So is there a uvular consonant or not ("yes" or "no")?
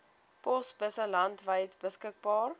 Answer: no